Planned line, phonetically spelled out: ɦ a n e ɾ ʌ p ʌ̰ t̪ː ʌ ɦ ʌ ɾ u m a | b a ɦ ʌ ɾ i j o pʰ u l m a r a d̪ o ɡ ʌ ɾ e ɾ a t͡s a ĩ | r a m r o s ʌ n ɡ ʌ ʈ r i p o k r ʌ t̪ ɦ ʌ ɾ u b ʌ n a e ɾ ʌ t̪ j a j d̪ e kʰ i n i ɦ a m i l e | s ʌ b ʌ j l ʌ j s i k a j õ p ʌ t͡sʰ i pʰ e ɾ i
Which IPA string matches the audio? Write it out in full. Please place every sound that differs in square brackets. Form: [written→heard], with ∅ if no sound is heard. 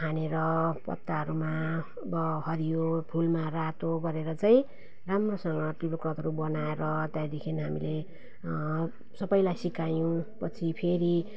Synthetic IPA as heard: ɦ a n e ɾ ʌ p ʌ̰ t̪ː [ʌ→a] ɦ ʌ ɾ u m a | b [a→ʌ] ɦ ʌ ɾ i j o pʰ u l m a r a [d̪→t̪] o ɡ ʌ ɾ e ɾ [a→ʌ] t͡s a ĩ | r a m r o s ʌ [n→ŋ] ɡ ʌ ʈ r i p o k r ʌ t̪ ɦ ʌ ɾ u b ʌ n a e ɾ ʌ t̪ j a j d̪ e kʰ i n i ɦ a m i l e | s ʌ b ʌ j l [ʌ→a] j s i k a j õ p ʌ t͡sʰ i pʰ e ɾ i